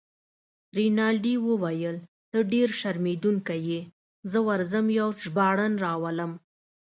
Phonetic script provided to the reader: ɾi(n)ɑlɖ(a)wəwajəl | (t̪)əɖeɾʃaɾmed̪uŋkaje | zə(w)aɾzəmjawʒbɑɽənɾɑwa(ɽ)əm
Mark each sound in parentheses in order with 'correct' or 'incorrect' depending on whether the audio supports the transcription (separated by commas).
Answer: correct, incorrect, correct, correct, incorrect